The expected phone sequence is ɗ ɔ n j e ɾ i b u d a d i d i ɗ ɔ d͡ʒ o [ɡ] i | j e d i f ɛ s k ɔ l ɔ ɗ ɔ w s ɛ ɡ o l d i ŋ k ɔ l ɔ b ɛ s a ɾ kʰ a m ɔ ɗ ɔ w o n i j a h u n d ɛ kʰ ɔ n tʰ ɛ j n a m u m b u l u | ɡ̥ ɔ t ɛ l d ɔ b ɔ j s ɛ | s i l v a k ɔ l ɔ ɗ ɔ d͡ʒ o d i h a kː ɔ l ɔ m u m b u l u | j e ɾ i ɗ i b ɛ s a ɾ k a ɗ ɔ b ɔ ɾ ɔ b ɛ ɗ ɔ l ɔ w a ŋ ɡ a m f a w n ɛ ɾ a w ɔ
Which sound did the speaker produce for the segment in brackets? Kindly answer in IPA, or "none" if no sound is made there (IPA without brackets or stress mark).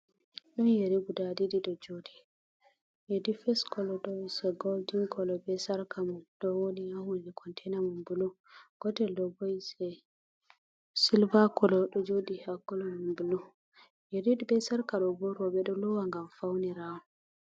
d